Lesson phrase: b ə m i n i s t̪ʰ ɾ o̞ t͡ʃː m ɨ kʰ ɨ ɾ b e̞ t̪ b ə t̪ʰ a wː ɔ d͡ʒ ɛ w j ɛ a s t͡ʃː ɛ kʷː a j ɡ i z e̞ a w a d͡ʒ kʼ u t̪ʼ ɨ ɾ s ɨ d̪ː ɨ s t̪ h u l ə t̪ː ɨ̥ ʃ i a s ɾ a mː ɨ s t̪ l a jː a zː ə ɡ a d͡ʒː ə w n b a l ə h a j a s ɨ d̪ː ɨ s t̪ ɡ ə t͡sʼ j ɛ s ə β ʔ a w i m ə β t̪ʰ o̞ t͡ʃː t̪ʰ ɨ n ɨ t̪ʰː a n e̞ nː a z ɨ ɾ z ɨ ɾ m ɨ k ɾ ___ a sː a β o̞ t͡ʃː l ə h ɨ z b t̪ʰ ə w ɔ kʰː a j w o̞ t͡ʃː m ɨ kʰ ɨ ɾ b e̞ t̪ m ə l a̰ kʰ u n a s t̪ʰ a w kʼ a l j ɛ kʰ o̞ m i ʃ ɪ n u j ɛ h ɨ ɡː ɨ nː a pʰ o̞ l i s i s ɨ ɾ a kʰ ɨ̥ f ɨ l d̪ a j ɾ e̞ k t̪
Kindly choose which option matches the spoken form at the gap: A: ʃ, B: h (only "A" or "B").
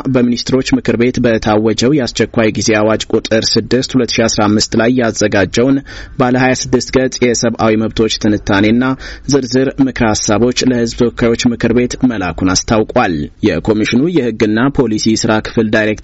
B